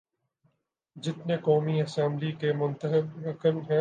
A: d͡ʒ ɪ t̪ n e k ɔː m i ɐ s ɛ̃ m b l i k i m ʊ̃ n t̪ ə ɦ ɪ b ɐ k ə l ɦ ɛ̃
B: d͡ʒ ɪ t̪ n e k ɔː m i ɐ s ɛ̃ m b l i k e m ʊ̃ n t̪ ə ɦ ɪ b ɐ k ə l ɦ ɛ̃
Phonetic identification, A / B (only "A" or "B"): B